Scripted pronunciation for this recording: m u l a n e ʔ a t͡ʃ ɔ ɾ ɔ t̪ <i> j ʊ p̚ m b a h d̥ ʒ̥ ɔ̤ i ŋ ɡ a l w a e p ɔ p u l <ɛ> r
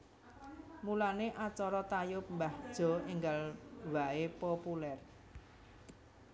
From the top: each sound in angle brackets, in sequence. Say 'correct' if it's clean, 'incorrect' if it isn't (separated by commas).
incorrect, correct